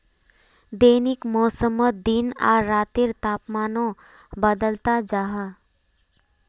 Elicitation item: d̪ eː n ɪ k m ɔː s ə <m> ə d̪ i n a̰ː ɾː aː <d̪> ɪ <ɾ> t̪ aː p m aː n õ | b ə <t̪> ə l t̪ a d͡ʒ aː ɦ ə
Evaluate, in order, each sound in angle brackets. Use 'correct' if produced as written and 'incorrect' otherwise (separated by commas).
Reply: correct, incorrect, correct, incorrect